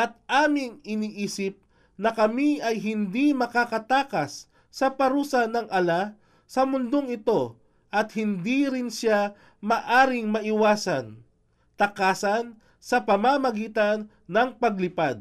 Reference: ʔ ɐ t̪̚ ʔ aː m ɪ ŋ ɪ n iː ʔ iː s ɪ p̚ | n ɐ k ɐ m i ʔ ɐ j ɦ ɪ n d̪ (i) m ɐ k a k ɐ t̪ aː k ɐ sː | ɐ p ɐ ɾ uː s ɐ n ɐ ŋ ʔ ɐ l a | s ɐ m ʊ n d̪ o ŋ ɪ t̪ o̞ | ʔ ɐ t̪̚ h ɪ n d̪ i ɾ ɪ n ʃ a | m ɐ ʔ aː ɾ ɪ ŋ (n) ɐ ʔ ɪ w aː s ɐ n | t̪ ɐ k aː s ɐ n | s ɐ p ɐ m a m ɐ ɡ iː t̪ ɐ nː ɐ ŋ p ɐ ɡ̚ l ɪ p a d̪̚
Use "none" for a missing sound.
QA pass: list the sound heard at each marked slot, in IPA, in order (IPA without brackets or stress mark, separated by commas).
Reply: i, m